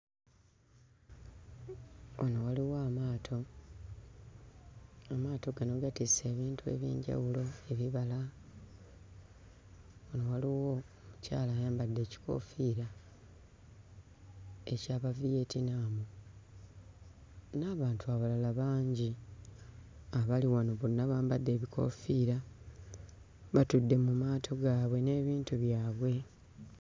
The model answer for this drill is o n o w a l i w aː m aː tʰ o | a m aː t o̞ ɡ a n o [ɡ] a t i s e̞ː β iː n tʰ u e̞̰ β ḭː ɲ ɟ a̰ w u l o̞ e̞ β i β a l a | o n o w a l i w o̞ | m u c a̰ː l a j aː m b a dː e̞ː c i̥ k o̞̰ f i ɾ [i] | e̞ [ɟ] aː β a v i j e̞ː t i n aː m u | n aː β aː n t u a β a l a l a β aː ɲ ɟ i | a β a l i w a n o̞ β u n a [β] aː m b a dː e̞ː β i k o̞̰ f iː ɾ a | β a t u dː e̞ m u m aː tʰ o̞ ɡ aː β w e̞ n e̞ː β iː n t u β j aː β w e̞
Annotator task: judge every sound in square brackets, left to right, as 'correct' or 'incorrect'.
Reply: correct, incorrect: a, incorrect: c, correct

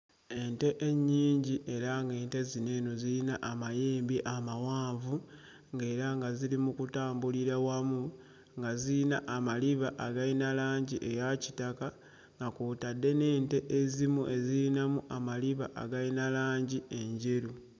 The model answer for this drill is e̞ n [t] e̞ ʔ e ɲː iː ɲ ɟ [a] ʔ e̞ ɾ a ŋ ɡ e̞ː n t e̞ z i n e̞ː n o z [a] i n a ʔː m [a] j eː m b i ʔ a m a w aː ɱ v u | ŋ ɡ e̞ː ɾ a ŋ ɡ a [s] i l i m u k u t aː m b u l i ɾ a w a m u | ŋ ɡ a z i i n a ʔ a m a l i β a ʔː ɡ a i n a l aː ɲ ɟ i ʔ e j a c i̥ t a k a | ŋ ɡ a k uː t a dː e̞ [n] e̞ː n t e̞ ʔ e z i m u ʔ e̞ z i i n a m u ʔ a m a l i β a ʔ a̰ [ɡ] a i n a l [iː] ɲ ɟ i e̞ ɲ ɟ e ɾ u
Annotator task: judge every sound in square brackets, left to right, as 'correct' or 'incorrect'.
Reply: correct, incorrect: i, incorrect: i, correct, incorrect: z, correct, correct, incorrect: aː

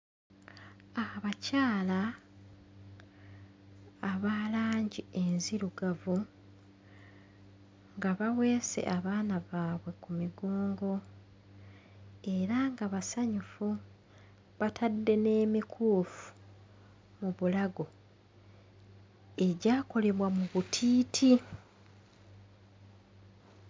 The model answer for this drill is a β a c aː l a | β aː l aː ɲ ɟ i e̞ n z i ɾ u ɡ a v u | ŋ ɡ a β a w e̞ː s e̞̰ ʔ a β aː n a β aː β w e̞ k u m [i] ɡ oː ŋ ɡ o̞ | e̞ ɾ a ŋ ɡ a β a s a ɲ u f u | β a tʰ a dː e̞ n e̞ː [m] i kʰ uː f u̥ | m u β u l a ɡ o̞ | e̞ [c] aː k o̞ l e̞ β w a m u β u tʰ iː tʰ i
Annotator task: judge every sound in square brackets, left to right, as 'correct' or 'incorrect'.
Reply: correct, correct, incorrect: ɟ

